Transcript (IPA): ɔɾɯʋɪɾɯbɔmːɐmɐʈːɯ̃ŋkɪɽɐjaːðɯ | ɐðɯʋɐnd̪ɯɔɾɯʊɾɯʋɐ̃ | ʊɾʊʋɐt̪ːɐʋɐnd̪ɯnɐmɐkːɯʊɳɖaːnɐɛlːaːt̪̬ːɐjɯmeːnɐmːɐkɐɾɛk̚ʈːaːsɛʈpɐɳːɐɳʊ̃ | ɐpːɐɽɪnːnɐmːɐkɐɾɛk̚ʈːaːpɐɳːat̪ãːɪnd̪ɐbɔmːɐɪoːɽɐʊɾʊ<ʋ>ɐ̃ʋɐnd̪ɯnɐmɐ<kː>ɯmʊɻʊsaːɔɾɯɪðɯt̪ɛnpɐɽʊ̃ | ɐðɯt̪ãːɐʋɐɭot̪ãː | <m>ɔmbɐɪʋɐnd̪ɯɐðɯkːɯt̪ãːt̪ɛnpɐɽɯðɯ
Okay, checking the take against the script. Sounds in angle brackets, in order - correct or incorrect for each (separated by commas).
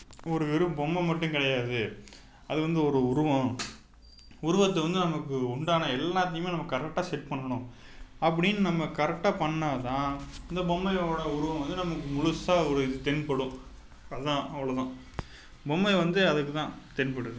correct, correct, incorrect